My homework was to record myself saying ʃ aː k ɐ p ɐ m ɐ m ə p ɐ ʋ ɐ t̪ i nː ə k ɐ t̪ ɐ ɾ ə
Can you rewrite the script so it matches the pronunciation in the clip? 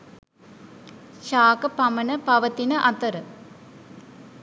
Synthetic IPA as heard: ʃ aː k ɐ p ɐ m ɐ n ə p ɐ ʋ ɐ t̪ i n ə ʔ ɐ t̪ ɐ ɾ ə

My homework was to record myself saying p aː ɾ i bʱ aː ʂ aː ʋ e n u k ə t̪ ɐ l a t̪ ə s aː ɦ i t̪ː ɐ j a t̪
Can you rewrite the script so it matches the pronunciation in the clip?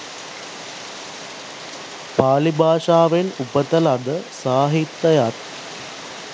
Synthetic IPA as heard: p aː l i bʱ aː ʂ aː ʋ e n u p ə t̪ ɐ l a d̪ ə s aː ɦ i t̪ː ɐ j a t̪

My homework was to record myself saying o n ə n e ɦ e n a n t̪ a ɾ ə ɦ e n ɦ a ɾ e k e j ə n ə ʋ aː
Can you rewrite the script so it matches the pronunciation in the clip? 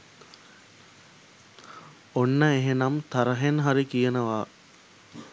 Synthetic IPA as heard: o nː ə e ɦ e n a m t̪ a ɾ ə ɦ e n ɦ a ɾ i k i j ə n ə ʋ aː

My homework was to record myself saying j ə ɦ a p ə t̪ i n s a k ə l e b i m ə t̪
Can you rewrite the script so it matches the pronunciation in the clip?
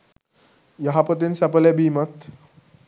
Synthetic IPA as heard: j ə ɦ a p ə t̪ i n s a p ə l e b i m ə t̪

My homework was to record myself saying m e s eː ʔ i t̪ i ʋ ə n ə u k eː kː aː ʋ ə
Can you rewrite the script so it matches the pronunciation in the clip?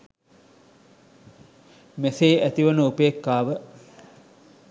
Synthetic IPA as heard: m e s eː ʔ æ t̪ i ʋ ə n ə u p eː kː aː ʋ ə

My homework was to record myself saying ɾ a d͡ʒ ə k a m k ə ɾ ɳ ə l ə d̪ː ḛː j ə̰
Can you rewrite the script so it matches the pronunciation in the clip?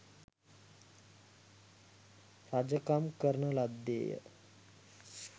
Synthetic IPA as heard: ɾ a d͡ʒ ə k a m k ə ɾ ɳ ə l a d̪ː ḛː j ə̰

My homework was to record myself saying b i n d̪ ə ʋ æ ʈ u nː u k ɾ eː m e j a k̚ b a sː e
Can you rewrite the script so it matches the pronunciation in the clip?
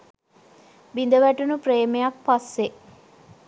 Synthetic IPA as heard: b i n d̪ ə ʋ æ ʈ u n u p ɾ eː m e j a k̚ p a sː e

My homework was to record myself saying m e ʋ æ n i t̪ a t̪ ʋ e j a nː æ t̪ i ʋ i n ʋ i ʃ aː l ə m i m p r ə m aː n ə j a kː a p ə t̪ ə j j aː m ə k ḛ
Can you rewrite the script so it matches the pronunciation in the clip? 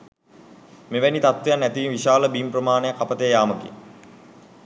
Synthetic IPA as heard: m e ʋ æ n i t̪ a t̪ ʋ e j a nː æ t̪ i ʋ i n ʋ i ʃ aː l ə b i m p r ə m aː n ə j a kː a p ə t̪ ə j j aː m ə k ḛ

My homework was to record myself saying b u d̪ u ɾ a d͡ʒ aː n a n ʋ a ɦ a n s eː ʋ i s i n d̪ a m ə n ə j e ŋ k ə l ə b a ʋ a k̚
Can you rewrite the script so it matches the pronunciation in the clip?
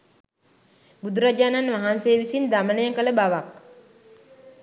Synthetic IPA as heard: b u d̪ u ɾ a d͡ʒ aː n a n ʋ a ɦ a n s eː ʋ i s i n d̪ a m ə n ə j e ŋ k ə l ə b a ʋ a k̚

